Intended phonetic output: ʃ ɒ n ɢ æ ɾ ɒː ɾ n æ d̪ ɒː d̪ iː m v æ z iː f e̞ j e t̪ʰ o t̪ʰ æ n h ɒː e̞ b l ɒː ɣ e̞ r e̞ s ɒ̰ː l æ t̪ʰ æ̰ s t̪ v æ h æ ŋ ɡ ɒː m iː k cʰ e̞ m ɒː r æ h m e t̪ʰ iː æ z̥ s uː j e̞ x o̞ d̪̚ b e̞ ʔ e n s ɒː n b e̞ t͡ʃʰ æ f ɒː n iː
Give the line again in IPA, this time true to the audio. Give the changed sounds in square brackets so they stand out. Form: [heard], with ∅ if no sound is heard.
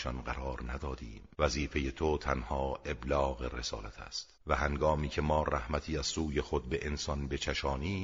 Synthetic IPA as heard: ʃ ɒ n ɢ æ ɾ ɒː ɾ n æ d̪ ɒː d̪ iː m v æ z iː f e̞ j e t̪ʰ o t̪ʰ æ n h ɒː e̞ b l ɒː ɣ e̞ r e̞ s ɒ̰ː l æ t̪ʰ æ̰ s t̪ v æ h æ ŋ ɡ ɒː m iː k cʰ e̞ m ɒː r æ h m [æ] t̪ʰ iː æ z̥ s uː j e̞ x o̞ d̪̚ b e̞ ʔ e n s [ɒ] n b e̞ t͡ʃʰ æ [ʃ] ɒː n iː